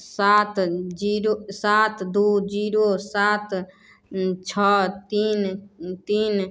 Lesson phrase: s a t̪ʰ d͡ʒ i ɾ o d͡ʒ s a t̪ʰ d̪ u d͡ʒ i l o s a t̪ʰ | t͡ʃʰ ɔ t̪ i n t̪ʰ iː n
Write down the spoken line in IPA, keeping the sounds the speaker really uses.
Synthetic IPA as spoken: s a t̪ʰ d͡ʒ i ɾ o s a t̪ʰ d̪ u d͡ʒ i ɾ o s a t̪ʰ | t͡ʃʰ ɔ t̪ i n t̪ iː n